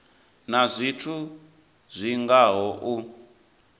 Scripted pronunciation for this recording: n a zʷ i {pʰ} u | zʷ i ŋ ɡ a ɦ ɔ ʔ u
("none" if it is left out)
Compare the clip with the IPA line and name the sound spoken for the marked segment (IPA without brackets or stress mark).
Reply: tʰ